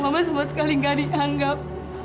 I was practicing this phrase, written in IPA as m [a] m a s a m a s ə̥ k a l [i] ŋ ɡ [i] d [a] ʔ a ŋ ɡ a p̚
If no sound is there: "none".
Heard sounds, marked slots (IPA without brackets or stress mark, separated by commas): a, i, a, i